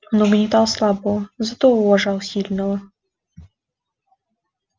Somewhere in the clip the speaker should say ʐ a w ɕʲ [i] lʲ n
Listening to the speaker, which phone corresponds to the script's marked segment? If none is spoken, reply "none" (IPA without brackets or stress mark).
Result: i